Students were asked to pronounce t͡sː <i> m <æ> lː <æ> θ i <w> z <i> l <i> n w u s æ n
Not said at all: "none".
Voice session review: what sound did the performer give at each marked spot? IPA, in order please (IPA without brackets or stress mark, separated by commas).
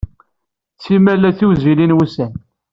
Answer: i, æ, æ, w, i, i